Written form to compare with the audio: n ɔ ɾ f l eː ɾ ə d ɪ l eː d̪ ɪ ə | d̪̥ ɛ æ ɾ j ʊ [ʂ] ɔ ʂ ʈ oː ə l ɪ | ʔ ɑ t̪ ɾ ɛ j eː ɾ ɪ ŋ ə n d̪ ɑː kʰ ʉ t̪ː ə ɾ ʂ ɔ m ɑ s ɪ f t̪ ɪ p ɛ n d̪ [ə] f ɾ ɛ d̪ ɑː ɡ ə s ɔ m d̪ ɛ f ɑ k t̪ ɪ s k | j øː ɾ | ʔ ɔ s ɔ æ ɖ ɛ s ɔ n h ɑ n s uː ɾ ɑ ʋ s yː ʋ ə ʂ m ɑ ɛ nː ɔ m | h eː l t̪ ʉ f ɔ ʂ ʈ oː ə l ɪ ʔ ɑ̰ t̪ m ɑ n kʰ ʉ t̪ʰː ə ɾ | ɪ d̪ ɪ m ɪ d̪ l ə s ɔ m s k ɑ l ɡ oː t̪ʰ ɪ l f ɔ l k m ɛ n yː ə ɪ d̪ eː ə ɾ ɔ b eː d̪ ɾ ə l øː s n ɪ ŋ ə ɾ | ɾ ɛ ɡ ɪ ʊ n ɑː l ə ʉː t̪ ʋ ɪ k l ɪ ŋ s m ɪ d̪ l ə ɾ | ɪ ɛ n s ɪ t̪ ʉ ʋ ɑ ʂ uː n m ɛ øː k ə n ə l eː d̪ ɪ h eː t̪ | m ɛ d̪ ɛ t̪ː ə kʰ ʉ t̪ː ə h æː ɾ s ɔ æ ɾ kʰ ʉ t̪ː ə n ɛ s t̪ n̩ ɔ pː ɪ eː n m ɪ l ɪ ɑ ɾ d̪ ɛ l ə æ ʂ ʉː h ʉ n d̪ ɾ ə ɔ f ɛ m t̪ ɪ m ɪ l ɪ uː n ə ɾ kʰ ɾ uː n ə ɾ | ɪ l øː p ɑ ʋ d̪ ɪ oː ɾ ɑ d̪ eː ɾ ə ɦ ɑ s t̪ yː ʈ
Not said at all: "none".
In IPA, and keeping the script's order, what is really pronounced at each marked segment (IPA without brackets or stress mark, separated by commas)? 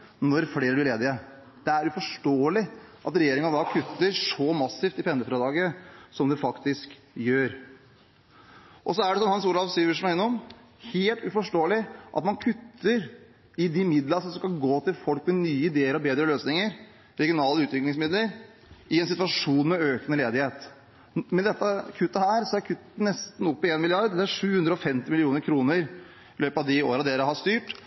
f, ə